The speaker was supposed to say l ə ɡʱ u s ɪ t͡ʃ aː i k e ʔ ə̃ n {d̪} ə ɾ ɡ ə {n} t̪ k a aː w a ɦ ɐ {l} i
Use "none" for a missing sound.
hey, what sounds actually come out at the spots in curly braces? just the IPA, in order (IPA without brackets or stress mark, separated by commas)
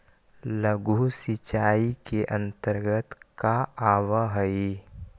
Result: t̪, none, none